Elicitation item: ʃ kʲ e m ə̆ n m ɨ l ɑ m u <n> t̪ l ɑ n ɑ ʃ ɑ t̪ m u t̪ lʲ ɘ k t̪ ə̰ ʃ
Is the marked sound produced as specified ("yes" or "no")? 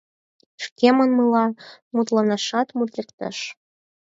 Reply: no